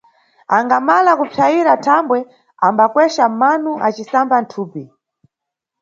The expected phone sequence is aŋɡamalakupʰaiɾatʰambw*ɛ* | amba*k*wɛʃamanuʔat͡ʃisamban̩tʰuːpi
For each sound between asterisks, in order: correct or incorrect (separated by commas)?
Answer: correct, correct